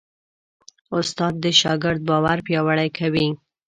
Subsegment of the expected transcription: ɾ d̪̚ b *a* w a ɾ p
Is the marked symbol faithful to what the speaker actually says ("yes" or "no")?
no